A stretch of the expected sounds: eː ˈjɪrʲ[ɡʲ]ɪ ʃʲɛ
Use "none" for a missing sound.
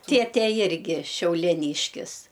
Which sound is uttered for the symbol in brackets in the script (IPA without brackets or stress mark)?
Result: ɡʲ